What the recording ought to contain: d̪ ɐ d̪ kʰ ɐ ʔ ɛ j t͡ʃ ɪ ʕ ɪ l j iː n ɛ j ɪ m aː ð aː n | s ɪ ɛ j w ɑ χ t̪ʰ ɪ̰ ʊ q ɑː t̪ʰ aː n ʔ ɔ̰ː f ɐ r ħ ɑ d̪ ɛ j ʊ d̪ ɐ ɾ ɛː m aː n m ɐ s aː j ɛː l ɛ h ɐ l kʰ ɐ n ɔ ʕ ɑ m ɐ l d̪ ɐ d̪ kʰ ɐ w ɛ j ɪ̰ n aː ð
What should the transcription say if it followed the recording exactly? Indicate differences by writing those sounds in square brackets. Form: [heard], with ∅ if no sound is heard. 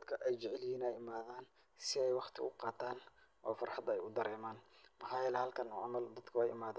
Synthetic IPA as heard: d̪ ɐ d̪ kʰ ɐ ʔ ɛ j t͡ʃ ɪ ʕ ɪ l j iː n ɛ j ɪ m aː ð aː n | s ɪ ɛ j w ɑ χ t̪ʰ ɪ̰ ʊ q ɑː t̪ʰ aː n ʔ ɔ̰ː f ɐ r ħ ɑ d̪ ɛ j ʊ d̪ ɐ ɾ ɛː m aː n m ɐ [ħ] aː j ɛː l ɛ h ɐ l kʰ ɐ n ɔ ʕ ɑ m ɐ l d̪ ɐ d̪ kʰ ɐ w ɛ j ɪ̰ [m] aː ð